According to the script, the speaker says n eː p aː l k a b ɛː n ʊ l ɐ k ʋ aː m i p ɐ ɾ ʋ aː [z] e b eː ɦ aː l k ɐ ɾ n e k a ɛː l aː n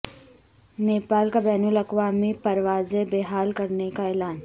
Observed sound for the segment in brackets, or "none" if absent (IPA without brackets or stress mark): z